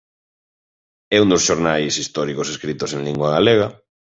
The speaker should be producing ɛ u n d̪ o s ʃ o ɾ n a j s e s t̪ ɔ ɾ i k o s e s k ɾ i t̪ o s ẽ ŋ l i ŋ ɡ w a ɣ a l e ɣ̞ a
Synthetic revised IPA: ɛ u n d̪ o s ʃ o ɾ n a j s i s t̪ ɔ ɾ i k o s e s k ɾ i t̪ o s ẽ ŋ l i ŋ ɡ w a ɣ a l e ɣ̞ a